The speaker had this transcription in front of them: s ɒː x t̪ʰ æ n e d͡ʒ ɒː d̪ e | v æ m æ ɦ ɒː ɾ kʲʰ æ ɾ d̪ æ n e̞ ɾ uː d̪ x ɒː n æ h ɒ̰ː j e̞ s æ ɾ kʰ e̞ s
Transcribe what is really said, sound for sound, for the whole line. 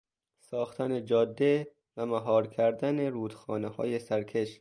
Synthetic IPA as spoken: s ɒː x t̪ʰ æ n e d͡ʒ ɒː d̪ː e | v æ m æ ɦ ɒː ɾ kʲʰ æ ɾ d̪ æ n e̞ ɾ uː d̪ x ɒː n e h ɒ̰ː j e̞ s æ ɾ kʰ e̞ ʃ